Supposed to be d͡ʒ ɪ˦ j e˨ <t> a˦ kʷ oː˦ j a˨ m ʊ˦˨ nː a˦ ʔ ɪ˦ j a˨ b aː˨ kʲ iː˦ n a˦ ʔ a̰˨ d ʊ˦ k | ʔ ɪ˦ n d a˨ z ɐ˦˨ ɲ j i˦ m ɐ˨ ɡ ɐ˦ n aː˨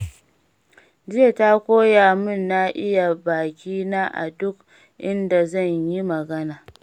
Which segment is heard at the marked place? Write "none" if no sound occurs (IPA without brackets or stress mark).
t